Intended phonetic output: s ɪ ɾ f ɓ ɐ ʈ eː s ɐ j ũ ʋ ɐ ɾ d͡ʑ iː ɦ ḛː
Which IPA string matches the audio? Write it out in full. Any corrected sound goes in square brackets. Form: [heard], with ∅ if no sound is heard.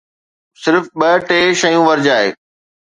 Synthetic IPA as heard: s ɪ ɾ f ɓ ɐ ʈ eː [ʃ] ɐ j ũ ʋ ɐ ɾ d͡ʑ [aː] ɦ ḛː